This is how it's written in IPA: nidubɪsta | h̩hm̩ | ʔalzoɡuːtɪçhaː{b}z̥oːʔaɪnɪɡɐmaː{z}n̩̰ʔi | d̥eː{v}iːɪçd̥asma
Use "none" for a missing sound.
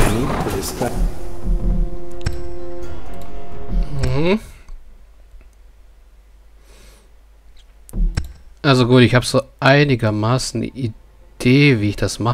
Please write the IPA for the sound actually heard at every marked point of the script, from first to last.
b, s, v

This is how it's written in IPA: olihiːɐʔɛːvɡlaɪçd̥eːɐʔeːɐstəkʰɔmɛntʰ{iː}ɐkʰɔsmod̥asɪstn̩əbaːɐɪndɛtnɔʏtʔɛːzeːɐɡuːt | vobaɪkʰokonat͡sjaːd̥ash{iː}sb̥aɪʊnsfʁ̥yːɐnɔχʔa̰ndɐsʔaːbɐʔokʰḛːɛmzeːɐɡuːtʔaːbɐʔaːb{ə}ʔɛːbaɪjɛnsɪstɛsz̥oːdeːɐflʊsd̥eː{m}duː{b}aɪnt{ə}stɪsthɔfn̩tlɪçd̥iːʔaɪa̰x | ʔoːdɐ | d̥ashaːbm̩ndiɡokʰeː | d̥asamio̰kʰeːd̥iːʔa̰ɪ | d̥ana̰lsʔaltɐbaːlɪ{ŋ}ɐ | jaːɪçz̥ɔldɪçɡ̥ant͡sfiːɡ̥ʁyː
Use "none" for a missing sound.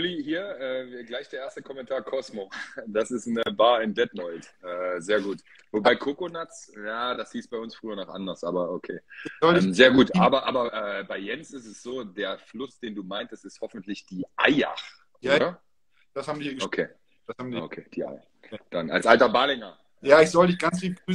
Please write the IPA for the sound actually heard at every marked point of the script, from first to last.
aː, iː, ɐ, n, m, ə, ŋ

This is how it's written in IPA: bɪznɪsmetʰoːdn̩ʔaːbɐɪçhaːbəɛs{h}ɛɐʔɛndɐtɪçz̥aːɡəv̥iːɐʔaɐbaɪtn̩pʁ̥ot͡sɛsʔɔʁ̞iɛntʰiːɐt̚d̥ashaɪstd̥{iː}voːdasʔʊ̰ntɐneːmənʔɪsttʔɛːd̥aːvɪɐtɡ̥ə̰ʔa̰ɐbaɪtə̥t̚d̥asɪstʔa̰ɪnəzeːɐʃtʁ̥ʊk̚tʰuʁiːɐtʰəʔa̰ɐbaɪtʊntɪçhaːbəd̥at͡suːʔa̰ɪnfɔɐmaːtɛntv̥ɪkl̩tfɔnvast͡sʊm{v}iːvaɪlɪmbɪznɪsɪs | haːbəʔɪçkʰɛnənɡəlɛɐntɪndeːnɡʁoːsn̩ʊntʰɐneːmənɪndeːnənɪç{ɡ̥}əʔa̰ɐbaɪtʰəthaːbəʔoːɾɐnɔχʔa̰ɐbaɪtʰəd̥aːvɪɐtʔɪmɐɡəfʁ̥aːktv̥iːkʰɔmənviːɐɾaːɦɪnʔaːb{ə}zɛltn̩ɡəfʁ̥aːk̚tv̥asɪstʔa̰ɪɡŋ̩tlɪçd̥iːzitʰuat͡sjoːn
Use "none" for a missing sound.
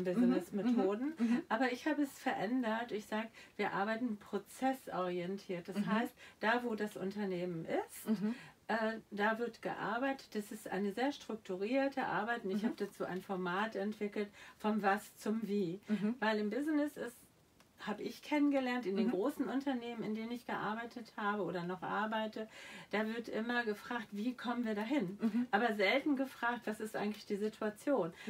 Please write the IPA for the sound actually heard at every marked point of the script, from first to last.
f, aː, v, ɡ̥, ɐ

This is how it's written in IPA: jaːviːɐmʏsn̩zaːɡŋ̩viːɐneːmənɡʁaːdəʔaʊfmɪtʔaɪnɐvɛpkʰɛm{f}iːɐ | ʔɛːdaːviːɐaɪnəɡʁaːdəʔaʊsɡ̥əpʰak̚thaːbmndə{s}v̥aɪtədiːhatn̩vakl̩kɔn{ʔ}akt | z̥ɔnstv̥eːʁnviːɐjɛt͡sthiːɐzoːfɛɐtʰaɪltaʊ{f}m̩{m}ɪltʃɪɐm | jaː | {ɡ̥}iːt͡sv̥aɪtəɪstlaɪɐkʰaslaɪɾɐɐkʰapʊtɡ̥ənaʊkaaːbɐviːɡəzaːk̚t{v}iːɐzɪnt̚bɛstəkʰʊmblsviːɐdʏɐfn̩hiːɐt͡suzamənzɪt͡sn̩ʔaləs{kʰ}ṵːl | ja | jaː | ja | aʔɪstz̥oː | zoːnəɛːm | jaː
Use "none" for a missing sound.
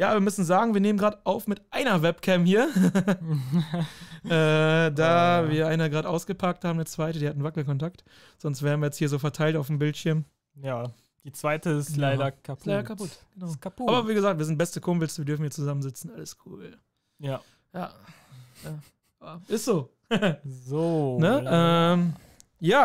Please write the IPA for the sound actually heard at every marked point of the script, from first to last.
h, t͡s, t, f, b, d̥, v, kʰ

